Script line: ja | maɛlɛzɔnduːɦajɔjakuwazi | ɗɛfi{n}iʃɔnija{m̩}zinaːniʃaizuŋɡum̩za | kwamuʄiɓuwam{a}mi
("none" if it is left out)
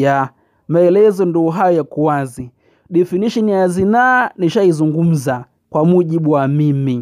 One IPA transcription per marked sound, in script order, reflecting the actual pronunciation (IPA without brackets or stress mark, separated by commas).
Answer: n, none, i